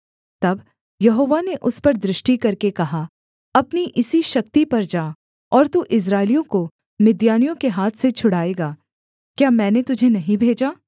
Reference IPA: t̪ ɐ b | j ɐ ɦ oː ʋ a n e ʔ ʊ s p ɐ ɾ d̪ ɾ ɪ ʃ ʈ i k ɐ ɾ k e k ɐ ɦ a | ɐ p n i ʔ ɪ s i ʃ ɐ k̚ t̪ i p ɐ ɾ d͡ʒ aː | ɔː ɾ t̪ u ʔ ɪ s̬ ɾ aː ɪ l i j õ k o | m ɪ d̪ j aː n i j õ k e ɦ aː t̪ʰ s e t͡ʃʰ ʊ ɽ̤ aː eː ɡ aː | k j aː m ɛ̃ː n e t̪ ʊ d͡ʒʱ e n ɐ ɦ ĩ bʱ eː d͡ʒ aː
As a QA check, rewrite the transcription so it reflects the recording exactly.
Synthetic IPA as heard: t̪ ɐ b | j ɐ ɦ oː ʋ a n e ʔ ʊ s p ɐ ɾ d̪ ɾ ɪ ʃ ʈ i k ɐ ɾ k e k ɐ ɦ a | ɐ p n i ʔ ɪ s i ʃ ɐ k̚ t̪ i p ɐ ɾ d͡ʒ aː | ɔː ɾ t̪ u ʔ ɪ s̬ ɾ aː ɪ l i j õ k o | m ɪ d̪ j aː n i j õ k e ɦ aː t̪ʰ s e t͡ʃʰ ʊ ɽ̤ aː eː ɡ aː | k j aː m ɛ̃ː n e t̪ ʊ d͡ʒʱ e n ɐ ɦ ĩ bʱ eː d͡ʒ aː